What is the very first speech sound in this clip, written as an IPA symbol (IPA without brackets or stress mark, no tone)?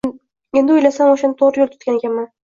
e̞